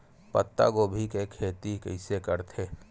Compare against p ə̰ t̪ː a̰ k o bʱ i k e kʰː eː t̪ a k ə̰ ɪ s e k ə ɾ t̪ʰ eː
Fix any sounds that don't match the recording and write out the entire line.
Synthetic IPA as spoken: p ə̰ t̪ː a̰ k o bʱ i k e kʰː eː t̪ i k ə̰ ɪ s e k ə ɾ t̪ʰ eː